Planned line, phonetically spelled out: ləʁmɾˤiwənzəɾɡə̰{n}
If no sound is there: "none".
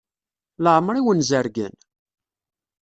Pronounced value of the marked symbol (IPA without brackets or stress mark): n